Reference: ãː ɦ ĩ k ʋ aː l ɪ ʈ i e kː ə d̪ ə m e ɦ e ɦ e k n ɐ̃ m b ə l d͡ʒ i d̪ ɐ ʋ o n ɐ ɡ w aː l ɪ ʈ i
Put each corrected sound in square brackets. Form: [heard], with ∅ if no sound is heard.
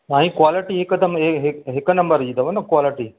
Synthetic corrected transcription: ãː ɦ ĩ k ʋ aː l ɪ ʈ i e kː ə d̪ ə m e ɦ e ɦ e k n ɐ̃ m b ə [ɾ] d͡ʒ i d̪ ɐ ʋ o n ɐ [k] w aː l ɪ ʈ i